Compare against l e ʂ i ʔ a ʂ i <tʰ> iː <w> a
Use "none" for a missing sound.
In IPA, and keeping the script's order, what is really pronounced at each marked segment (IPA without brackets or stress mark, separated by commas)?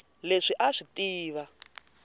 t, β